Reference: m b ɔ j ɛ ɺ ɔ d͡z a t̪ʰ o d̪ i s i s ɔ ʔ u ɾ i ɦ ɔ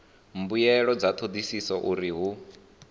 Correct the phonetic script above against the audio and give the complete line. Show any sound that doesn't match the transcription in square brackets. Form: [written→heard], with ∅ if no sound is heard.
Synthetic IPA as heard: m b [ɔ→u] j ɛ ɺ ɔ d͡z a t̪ʰ o d̪ i s i s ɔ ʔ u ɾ i ɦ [ɔ→u]